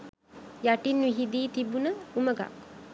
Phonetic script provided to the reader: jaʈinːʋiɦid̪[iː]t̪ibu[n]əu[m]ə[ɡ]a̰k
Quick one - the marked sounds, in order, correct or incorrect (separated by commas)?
correct, correct, correct, correct